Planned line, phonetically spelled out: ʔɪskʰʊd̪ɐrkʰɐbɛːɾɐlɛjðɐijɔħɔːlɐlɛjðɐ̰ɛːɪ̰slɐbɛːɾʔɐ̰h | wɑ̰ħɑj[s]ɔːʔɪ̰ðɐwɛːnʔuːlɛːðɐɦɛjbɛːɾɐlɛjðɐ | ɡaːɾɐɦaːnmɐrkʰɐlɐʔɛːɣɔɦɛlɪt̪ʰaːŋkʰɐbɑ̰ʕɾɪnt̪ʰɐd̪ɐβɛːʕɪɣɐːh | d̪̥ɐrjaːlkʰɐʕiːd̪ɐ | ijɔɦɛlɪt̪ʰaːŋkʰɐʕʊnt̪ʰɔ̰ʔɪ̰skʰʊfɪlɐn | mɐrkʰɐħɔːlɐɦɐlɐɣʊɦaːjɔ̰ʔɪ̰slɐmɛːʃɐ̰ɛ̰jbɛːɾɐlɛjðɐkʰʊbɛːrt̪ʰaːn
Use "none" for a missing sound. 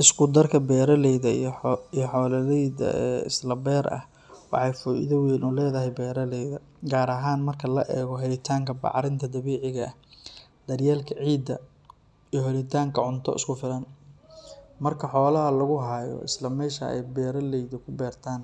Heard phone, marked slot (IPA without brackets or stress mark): f